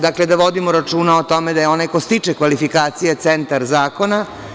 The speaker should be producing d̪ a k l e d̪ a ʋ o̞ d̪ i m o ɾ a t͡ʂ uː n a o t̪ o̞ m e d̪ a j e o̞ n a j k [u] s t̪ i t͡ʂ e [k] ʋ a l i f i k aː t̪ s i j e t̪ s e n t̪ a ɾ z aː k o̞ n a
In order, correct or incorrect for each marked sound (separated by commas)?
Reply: incorrect, correct